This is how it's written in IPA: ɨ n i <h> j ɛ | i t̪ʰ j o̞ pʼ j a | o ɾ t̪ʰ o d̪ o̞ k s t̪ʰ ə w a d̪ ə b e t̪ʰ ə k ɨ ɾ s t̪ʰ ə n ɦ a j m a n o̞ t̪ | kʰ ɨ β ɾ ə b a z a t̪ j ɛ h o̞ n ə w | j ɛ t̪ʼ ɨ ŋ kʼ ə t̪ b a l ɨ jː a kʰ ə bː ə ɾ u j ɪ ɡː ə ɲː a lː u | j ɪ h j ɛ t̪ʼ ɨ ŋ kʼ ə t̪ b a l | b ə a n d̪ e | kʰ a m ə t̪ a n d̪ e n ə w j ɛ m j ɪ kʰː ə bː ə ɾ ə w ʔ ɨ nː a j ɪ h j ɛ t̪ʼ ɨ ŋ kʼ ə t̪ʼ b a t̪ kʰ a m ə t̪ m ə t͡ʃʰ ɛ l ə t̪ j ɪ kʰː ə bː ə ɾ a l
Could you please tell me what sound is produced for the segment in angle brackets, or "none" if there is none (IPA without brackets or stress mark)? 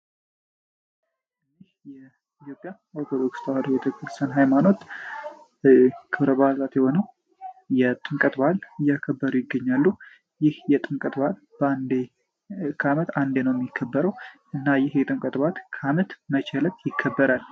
h